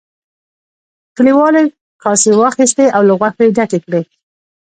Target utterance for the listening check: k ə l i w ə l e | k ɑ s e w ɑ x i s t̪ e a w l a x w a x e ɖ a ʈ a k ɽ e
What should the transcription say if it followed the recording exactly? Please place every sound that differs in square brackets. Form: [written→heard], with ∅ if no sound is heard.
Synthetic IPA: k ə l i w [ə→ɑ] l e | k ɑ s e w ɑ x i s t̪ e a w l a [x→ɣ] w a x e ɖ a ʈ [a→e] k ɽ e